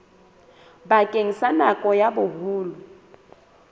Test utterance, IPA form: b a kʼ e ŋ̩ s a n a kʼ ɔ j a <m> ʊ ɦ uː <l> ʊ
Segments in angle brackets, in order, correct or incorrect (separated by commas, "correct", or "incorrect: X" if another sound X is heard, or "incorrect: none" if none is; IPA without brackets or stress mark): incorrect: b, correct